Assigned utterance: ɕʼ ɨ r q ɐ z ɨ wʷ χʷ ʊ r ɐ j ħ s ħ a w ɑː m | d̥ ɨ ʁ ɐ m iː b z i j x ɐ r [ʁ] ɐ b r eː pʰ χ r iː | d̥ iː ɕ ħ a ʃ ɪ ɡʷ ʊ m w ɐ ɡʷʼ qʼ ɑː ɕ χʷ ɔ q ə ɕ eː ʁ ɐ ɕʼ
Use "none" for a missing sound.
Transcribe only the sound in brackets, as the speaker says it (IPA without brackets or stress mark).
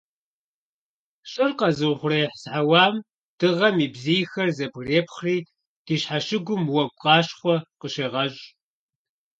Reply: z